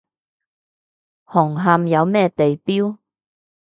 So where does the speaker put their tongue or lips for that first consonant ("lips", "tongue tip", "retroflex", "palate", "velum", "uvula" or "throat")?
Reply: throat